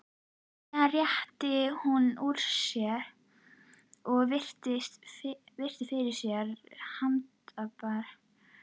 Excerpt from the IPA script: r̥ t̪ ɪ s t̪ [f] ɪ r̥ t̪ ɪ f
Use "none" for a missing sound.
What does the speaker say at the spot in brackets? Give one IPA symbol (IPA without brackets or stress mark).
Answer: v